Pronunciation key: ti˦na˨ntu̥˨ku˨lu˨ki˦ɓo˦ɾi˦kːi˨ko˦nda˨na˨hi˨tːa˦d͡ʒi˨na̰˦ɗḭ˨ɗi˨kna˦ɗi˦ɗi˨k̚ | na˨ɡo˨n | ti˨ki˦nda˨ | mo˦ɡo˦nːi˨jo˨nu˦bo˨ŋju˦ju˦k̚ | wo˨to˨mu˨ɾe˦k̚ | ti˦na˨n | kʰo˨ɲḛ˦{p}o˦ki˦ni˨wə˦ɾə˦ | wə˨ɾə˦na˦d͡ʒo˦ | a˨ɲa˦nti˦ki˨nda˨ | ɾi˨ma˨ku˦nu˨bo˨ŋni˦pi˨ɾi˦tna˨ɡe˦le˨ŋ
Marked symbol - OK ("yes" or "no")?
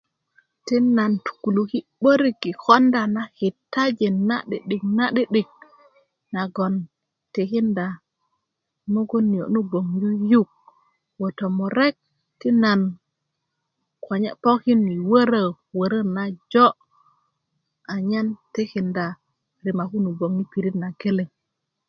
yes